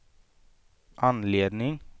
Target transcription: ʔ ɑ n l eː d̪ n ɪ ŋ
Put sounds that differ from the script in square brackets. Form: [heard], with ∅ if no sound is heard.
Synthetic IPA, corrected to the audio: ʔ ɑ n l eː d̪ n ɪ ŋ